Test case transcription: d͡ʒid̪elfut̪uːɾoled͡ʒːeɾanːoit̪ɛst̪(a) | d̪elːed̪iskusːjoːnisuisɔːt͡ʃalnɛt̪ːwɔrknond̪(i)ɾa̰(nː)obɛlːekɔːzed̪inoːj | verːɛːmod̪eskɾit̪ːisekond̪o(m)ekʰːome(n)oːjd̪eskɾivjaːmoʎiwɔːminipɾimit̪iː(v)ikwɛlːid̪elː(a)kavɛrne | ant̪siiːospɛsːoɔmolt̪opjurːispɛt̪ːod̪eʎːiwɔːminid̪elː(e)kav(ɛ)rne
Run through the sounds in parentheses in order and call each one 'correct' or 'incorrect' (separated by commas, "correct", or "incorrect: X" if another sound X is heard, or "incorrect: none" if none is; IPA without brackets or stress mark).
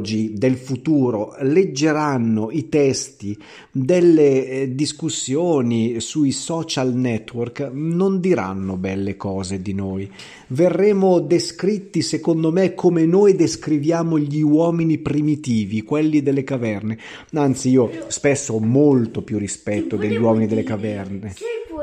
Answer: incorrect: i, correct, correct, correct, correct, correct, incorrect: e, correct, correct